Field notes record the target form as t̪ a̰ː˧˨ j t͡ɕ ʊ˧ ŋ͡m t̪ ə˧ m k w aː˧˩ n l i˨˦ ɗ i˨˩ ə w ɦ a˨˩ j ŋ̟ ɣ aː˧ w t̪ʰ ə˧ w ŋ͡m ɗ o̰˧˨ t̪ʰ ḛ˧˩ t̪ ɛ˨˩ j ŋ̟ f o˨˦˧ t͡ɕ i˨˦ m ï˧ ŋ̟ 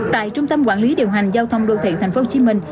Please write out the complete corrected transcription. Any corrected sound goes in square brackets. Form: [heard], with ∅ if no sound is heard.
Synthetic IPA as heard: t̪ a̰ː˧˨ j t͡ɕ ʊ˧ ŋ͡m t̪ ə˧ m k w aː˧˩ n l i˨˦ ɗ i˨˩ ə w ɦ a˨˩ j ŋ̟ [z] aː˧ w t̪ʰ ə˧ w ŋ͡m ɗ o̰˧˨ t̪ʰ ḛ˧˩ [t̪ʰ] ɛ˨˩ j ŋ̟ f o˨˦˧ t͡ɕ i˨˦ m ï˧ ŋ̟